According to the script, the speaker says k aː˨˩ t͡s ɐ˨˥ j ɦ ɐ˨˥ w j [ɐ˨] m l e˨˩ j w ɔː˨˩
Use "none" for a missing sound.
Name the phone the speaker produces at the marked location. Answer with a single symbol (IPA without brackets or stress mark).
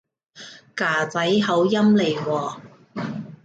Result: ɐ˥